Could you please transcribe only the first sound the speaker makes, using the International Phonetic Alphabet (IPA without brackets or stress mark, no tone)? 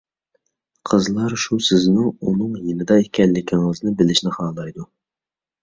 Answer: qʰ